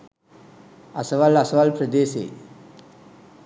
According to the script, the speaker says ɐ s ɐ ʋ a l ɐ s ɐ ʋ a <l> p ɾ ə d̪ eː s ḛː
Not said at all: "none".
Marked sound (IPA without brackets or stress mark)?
l